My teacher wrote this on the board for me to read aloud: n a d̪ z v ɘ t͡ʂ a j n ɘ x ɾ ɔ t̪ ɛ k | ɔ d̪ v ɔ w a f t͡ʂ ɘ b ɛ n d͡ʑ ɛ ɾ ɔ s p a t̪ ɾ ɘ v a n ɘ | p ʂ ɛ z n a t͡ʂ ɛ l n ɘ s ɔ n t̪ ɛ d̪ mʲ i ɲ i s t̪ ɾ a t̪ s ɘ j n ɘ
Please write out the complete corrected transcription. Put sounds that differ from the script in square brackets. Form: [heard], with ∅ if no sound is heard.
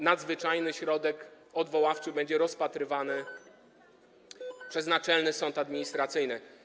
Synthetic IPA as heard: n a d̪ z v ɘ t͡ʂ a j n ɘ [ɕ] ɾ ɔ [d̪] ɛ k | ɔ d̪ v ɔ w a f t͡ʂ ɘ b ɛ [ɲ] d͡ʑ ɛ ɾ ɔ s p a t̪ ɾ ɘ v a n ɘ | p ʂ ɛ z n a t͡ʂ ɛ l n ɘ s ɔ n t̪ [a] d̪ mʲ i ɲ i s t̪ ɾ a t̪ s ɘ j n ɘ